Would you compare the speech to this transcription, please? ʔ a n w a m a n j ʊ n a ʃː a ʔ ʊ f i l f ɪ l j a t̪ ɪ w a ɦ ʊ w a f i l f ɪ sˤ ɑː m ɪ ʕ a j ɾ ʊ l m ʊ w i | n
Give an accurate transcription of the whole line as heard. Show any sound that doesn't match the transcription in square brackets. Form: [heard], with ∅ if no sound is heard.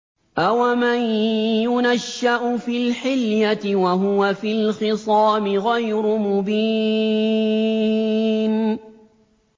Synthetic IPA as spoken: ʔ a [∅] w a m a n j ʊ n a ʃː a ʔ ʊ f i l [ħ] ɪ l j a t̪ ɪ w a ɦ ʊ w a f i l [x] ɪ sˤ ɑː m ɪ [ɣ] a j ɾ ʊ [∅] m ʊ [b] i | n